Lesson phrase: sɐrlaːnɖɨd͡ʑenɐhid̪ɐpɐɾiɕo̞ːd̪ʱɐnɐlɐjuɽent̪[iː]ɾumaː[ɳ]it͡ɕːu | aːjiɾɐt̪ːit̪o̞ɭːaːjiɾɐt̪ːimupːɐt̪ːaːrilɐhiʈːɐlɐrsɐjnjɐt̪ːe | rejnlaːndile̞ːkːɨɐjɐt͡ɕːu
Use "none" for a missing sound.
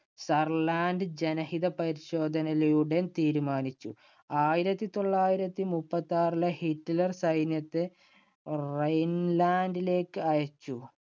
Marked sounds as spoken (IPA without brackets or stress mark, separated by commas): iː, n